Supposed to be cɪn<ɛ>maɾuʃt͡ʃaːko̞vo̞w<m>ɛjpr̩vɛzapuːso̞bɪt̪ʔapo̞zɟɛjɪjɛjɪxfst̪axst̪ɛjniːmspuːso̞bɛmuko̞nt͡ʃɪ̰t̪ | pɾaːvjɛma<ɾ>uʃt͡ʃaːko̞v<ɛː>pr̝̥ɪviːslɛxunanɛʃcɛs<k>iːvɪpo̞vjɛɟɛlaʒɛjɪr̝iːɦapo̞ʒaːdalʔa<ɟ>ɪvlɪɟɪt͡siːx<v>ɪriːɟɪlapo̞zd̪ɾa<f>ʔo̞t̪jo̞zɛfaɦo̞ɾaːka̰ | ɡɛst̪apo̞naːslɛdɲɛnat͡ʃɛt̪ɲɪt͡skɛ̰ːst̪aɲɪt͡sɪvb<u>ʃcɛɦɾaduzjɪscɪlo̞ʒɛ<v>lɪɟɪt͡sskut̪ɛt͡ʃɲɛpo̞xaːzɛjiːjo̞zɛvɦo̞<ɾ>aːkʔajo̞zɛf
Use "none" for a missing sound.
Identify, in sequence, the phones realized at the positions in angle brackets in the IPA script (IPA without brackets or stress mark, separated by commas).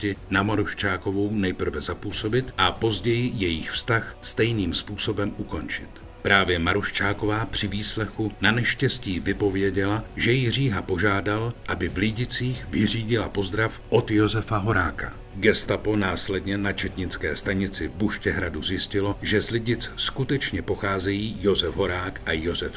a, n, ɾ, aː, c, b, v, f, u, z, ɾ